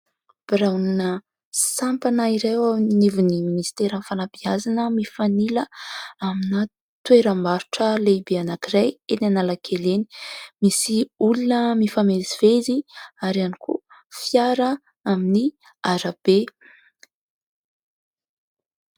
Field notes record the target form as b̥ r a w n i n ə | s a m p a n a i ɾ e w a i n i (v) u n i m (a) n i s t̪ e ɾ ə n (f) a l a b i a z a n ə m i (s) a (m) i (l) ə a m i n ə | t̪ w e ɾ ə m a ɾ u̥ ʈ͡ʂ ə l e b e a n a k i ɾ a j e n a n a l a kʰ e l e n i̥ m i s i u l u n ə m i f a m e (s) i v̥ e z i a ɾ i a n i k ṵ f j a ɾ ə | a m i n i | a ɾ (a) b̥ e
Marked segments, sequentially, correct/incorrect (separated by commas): correct, incorrect, correct, incorrect, incorrect, correct, incorrect, correct